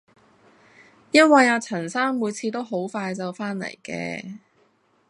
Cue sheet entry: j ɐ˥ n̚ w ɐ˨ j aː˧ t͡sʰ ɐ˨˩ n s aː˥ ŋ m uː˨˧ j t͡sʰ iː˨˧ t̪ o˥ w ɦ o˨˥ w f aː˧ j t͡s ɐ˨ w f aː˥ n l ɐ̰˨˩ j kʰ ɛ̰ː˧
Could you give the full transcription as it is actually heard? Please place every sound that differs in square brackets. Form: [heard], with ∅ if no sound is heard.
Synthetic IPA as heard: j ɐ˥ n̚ w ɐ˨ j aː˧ t͡sʰ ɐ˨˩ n s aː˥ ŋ m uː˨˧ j t͡sʰ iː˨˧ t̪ o˥ w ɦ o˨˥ w f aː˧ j t͡s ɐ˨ w f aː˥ n l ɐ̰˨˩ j [k] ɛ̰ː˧